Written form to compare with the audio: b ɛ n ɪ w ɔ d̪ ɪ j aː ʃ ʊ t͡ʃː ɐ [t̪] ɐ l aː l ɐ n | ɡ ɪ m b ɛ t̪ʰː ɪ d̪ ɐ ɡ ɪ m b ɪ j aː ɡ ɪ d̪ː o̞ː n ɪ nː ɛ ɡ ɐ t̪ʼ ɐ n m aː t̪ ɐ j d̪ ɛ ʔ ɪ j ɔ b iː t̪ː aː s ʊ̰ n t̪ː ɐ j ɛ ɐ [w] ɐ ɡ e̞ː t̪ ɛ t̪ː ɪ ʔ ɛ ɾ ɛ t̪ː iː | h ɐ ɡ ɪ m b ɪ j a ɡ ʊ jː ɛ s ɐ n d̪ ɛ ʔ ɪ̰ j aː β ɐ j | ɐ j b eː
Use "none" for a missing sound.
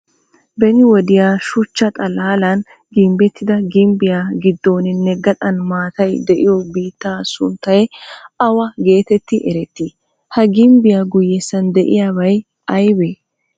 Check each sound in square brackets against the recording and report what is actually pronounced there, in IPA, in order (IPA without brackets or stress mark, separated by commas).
t̪ʼ, w